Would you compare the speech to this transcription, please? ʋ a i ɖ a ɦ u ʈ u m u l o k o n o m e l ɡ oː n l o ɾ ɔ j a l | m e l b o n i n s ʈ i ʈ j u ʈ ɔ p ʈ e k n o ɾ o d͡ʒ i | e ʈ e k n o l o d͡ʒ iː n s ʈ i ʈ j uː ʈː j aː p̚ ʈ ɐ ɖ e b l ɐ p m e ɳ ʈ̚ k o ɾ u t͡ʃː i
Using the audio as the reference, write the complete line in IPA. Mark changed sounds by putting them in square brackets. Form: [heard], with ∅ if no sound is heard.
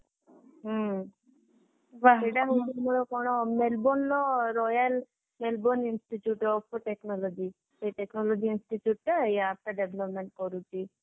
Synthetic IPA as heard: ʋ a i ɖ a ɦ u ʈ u m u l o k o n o m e l [b] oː n l o ɾ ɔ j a l | m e l b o n i n s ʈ i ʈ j u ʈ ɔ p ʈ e k n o [l] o d͡ʒ i | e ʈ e k n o l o d͡ʒ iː n s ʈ i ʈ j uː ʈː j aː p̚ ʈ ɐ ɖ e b l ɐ p m e ɳ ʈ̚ k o ɾ u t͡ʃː i